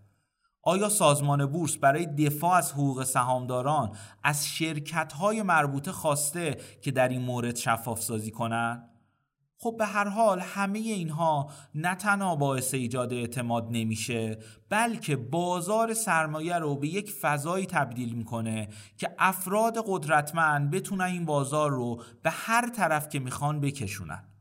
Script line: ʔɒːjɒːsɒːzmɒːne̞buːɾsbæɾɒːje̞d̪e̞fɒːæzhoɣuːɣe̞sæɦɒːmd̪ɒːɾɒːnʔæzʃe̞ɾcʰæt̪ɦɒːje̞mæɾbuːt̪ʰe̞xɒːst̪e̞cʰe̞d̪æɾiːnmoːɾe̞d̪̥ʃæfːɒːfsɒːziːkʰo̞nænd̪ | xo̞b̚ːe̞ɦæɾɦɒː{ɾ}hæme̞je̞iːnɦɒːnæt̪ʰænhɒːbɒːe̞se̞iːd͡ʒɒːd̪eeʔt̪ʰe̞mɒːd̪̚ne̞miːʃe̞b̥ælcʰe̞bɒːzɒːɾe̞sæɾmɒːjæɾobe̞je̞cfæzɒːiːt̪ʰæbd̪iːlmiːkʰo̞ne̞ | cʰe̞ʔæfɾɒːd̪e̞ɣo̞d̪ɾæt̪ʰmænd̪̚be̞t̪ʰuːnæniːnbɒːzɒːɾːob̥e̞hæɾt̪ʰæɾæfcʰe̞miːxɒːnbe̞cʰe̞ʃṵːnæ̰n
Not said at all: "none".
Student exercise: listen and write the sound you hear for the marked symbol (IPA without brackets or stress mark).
l